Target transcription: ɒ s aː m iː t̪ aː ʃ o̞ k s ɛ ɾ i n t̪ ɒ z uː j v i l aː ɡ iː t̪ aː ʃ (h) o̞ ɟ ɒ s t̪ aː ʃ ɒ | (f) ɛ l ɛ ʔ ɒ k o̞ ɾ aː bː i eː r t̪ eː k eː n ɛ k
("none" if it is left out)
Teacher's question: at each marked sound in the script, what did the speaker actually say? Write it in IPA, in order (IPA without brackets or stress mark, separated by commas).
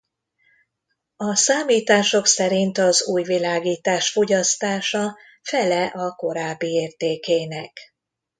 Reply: f, f